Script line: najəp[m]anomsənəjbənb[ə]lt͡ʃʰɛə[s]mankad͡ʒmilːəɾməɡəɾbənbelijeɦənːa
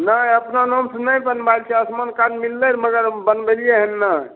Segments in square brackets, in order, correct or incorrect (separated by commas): incorrect, incorrect, correct